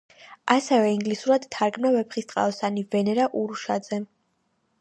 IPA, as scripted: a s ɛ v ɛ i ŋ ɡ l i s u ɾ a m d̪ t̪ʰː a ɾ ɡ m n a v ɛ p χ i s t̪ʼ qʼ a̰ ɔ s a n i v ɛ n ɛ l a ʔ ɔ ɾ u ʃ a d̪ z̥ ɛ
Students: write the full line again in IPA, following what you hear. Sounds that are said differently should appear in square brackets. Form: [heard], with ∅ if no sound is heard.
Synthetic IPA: a s ɛ v ɛ i ŋ ɡ l i s u ɾ a [∅] d̪ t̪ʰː a ɾ ɡ m n a v ɛ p χ i s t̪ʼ qʼ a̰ ɔ s a n i v ɛ n ɛ [ɾ] a ʔ [u] ɾ u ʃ a d̪ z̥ ɛ